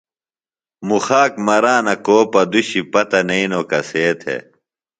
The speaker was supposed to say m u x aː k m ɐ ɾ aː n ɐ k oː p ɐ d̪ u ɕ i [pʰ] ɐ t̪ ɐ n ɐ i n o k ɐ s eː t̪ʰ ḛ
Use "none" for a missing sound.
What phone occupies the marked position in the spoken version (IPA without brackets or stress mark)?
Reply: p